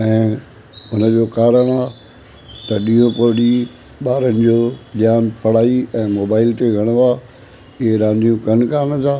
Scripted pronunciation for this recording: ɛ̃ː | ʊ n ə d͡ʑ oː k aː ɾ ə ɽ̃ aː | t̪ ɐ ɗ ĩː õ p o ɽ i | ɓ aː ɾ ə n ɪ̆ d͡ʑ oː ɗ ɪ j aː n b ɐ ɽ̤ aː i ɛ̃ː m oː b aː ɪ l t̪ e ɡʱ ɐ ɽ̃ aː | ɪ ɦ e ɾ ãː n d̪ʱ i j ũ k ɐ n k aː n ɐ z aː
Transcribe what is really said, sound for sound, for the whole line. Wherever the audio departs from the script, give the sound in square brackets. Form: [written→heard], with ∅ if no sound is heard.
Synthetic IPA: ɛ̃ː | ʊ n ə d͡ʑ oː k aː ɾ ə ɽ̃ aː | t̪ ɐ ɗ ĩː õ p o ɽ i | ɓ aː ɾ ə n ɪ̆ d͡ʑ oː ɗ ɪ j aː n [b→p] ɐ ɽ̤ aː i ɛ̃ː m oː b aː ɪ l t̪ e ɡʱ ɐ ɽ̃ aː | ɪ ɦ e ɾ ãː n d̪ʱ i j ũ k ɐ n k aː n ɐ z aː